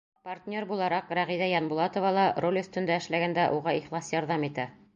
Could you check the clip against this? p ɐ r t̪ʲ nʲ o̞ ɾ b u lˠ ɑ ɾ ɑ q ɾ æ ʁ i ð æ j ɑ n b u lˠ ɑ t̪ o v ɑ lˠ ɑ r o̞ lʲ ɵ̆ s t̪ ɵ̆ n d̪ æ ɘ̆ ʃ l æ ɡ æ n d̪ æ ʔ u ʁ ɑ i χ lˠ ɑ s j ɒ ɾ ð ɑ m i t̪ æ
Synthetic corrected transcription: p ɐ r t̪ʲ nʲ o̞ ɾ b u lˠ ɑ ɾ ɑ q ɾ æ ʁ i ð æ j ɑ n b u lˠ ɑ t̪ o v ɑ lˠ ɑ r o̞ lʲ ɵ̆ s t̪ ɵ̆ n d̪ æ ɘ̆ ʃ l æ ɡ æ n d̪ æ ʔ u ʁ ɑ i χ lˠ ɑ s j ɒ ɾ ð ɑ m i t̪ æ